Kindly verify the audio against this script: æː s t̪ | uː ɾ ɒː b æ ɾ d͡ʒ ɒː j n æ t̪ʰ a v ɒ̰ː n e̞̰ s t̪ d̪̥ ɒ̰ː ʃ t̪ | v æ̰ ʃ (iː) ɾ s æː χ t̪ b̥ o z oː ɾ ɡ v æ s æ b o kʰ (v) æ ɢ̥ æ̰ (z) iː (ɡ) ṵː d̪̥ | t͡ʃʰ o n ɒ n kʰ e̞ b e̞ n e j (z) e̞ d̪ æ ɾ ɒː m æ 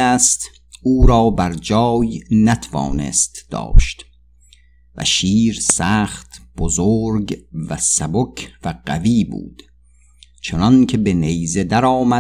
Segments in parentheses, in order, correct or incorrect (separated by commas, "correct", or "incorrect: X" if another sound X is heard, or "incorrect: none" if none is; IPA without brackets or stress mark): correct, correct, incorrect: v, incorrect: b, correct